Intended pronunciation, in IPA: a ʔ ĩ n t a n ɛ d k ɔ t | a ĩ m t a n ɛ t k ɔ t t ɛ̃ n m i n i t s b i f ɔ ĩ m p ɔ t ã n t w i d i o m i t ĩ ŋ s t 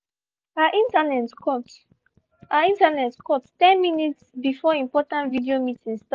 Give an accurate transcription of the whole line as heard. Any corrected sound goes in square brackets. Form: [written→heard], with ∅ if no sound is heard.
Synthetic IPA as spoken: a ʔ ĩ n t a n ɛ [d→t] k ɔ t | a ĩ [m→n] t a n ɛ t k ɔ t t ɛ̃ n m i n i t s b i f ɔ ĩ m p ɔ t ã n t [w→v] i d i o m i t ĩ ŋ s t

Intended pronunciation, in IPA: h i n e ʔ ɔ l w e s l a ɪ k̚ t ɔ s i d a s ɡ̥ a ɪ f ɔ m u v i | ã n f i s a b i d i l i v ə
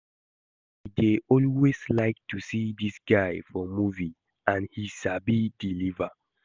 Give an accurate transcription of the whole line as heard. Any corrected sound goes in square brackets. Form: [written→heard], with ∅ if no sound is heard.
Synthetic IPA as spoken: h i [n→d] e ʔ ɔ l w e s l a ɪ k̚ t [ɔ→u] s i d [a→i] s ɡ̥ a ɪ f ɔ m u v i | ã n [f→h] i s a b i d i l i v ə

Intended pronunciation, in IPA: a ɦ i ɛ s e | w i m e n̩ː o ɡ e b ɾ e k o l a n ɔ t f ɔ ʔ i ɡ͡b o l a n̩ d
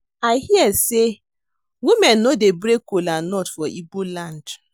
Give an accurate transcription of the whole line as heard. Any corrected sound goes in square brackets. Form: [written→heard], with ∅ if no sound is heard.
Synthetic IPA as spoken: a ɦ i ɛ s e | w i m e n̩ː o [ɡ→d] e b ɾ e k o l a n ɔ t f ɔ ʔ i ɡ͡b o l a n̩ d

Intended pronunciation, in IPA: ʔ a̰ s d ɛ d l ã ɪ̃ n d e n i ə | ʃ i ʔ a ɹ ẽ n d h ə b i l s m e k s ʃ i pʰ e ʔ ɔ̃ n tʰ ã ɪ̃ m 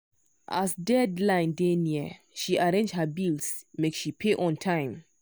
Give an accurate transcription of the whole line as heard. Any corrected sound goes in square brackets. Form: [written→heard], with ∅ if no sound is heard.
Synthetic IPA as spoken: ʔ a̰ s d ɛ d l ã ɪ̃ n d e n i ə | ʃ i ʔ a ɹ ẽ n [d→d͡ʒ] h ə b i l s m e k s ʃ i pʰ e ʔ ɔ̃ n tʰ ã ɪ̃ m

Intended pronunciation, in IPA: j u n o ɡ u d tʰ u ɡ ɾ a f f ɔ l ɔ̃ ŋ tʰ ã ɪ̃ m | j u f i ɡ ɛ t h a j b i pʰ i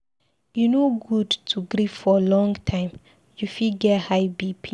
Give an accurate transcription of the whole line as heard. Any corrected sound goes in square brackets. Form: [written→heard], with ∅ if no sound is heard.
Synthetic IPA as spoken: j u n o ɡ u d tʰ u ɡ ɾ [a→i] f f ɔ l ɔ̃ ŋ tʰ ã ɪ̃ m | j u f i ɡ ɛ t h a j b i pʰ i

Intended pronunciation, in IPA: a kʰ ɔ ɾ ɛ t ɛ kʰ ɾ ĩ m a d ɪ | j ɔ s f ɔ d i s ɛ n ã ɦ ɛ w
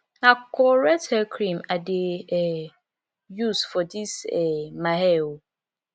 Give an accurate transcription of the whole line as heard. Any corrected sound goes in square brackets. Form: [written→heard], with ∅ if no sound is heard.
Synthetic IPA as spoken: a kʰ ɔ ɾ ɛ t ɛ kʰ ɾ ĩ m a d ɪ | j [ɔ→u] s f ɔ d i s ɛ [n→m] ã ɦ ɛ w

